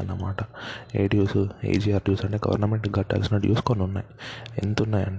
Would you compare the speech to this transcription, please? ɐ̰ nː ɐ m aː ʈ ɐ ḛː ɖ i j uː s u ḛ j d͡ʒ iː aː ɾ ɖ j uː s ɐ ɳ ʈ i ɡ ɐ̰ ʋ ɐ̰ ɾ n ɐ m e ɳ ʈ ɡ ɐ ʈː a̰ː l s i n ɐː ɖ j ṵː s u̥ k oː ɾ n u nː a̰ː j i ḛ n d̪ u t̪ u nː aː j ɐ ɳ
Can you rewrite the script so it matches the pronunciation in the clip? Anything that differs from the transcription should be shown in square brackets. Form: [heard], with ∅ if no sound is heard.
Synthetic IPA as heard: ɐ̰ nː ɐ m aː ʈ ɐ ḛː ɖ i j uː s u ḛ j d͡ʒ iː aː ɾ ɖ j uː s ɐ ɳ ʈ [e] ɡ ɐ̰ ʋ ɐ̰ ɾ n ɐ m e ɳ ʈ ɡ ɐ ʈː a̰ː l s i n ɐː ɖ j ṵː s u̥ k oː [∅] n u nː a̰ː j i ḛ n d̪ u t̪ u nː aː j ɐ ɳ